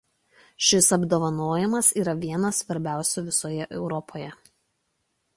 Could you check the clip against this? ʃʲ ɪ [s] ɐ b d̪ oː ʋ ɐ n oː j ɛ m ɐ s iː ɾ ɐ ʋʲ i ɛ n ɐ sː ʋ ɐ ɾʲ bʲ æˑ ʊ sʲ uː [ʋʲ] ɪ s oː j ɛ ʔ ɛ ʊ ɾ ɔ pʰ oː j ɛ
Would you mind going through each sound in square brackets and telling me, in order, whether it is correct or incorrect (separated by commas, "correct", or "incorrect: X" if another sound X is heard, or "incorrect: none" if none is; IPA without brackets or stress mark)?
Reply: correct, correct